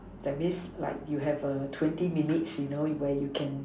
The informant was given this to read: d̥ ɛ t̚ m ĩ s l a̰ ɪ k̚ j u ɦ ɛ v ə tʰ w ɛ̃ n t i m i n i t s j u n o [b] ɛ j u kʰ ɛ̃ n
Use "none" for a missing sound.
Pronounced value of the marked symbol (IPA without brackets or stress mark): w